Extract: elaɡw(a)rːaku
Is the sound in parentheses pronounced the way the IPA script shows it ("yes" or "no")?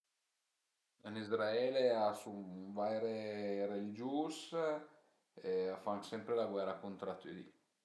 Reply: no